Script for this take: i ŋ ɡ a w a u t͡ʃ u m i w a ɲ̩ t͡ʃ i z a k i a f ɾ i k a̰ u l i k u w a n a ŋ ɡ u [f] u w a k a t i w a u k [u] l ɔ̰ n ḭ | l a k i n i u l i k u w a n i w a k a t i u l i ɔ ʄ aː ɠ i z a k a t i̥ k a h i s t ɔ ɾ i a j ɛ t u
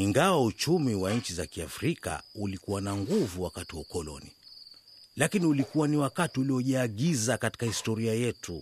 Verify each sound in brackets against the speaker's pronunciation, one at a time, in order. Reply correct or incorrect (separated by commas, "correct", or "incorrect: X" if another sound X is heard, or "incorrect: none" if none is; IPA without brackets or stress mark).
incorrect: v, incorrect: ɔ